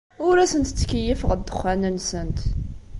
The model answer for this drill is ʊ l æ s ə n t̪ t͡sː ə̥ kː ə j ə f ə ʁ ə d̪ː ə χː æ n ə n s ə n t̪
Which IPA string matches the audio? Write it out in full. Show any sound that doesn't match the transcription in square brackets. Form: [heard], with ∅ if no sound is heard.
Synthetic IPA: ʊ [ɾ] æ s ə n t̪ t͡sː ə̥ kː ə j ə f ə ʁ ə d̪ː ə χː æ n ə n s ə n t̪